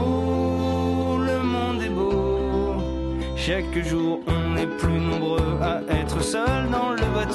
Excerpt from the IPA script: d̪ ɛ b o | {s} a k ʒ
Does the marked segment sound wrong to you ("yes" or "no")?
yes